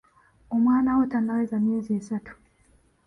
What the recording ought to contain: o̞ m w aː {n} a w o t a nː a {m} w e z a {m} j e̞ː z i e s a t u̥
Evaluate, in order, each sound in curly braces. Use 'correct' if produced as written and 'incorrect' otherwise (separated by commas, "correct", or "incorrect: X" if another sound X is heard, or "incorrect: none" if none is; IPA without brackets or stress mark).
correct, incorrect: none, correct